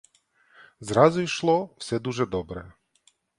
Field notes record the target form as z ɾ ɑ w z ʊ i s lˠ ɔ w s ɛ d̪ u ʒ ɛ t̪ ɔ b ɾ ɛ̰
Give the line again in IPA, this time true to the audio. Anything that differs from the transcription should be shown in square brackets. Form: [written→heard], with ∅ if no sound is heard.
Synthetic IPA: z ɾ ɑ [w→∅] z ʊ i [s→ʃ] lˠ ɔ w s ɛ d̪ u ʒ ɛ [t̪→d̪] ɔ b ɾ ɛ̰